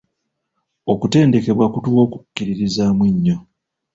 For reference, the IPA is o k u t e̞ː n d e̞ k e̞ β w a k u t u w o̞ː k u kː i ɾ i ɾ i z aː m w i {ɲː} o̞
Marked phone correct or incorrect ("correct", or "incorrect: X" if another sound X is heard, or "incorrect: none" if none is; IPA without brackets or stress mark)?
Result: correct